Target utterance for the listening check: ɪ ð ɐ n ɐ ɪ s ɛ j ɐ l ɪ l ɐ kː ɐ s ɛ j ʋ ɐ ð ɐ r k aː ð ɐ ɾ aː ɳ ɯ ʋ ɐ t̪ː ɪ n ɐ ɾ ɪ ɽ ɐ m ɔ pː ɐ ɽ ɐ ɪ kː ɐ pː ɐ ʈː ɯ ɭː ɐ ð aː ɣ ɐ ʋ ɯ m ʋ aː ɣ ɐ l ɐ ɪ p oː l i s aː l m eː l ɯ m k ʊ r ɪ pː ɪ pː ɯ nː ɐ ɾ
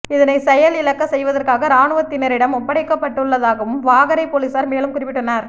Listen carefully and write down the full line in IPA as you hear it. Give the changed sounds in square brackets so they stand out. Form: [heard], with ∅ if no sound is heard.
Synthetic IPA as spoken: ɪ ð ɐ n ɐ ɪ s ɛ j ɐ l ɪ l ɐ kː ɐ s ɛ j ʋ ɐ ð ɐ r k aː [ɣ] ɐ ɾ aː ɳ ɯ ʋ ɐ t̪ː ɪ n ɐ ɾ ɪ ɽ ɐ m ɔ pː ɐ ɽ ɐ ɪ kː ɐ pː ɐ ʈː ɯ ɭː ɐ ð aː ɣ ɐ ʋ ɯ m ʋ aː ɣ ɐ [ɾ] ɐ ɪ p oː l i s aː [ɾ] m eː l ɯ m k ʊ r ɪ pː ɪ [ʈː] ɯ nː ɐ ɾ